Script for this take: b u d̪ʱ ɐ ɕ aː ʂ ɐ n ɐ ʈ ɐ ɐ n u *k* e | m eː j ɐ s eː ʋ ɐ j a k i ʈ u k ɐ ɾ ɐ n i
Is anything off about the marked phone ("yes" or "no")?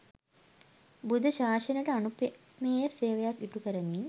yes